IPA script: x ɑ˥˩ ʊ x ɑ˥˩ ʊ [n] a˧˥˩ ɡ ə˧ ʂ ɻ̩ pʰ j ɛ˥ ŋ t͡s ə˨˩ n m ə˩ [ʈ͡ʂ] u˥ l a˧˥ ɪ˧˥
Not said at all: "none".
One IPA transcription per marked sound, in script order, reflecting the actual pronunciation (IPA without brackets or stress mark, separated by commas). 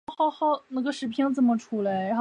n, ʈ͡ʂʰ